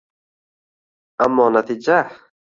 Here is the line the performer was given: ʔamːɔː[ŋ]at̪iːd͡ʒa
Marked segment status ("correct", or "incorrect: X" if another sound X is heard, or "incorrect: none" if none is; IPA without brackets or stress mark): incorrect: n